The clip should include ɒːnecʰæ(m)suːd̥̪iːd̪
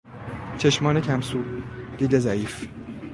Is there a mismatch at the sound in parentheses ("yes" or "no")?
no